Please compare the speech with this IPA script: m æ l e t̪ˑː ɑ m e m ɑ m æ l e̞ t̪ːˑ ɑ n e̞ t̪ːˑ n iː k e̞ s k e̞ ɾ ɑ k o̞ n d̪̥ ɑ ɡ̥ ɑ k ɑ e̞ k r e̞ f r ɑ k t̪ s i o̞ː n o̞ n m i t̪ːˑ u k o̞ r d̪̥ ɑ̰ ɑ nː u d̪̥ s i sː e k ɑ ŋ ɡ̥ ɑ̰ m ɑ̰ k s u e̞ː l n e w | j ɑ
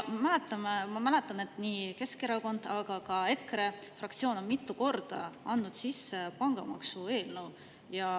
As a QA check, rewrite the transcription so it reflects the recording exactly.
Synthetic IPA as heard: m æ l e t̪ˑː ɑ m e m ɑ m æ l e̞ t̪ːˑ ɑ n e̞ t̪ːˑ n iː k e̞ s k e̞ ɾ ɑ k o̞ n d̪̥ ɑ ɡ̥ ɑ k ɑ e̞ k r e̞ f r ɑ k t̪ s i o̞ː n o̞ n m i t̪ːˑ u k o̞ r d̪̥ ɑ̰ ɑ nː u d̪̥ s i sː e p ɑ ŋ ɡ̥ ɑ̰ m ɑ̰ k s u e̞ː l n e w | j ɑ